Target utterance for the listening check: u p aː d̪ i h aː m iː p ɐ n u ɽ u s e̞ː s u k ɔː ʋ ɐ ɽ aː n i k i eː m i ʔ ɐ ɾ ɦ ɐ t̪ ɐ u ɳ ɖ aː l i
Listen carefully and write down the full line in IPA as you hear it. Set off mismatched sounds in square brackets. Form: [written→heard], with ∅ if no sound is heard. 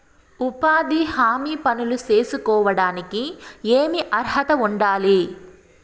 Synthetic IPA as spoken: u p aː d̪ i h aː m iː p ɐ n u [ɽ→l] u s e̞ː s u k ɔː ʋ ɐ ɽ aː n i k i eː m i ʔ ɐ ɾ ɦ ɐ t̪ ɐ u ɳ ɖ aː l i